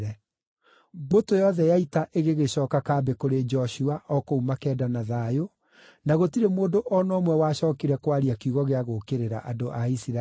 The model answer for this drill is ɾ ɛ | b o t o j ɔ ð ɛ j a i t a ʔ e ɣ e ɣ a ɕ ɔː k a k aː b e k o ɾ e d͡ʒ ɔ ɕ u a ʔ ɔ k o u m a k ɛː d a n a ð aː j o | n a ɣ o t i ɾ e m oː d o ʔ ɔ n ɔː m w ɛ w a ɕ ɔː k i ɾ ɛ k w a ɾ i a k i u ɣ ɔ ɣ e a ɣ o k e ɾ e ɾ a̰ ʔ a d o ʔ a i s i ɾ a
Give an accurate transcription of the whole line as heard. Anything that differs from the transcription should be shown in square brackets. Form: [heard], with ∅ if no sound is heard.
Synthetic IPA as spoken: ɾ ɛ | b o t o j ɔ ð ɛ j a i t a ʔ e ɣ e ɣ [e] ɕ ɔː k a k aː b e k o ɾ e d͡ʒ ɔ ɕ u a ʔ ɔ k o u m a k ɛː d a n a ð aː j o | n a ɣ o t i ɾ e m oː d o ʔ ɔ n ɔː m w ɛ w a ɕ ɔː k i ɾ ɛ k w a ɾ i a k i u ɣ ɔ ɣ e a ɣ o k e ɾ e ɾ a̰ ʔ a d o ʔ a i s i ɾ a